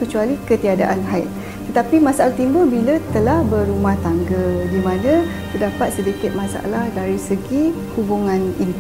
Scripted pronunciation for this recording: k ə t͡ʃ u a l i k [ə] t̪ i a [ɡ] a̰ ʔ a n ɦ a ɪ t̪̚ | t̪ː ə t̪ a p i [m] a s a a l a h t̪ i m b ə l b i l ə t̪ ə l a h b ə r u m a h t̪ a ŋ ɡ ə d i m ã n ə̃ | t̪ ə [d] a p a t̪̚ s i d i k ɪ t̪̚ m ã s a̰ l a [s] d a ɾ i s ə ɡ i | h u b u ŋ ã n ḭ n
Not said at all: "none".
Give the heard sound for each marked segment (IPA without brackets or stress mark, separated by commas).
ə, d, m, d, h